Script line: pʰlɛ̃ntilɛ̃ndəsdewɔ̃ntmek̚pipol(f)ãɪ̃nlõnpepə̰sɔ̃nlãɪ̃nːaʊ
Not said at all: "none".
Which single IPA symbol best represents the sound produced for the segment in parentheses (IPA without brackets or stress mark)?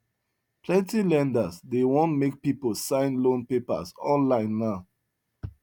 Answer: s